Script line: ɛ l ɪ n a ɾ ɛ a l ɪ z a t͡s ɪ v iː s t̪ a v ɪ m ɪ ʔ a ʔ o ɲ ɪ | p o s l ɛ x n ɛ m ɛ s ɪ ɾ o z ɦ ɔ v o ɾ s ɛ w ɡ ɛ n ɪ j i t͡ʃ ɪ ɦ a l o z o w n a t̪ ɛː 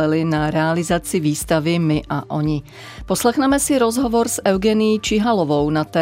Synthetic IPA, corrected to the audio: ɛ l ɪ n a ɾ ɛ a l ɪ z a t͡s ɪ v iː s t̪ a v ɪ m ɪ ʔ a ʔ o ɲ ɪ | p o s l ɛ x n ɛ m ɛ s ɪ ɾ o z ɦ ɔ v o ɾ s ɛ w ɡ ɛ n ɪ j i t͡ʃ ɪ ɦ a l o v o w n a t̪ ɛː